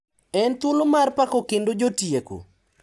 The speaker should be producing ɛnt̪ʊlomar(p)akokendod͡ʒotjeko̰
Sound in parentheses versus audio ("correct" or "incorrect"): correct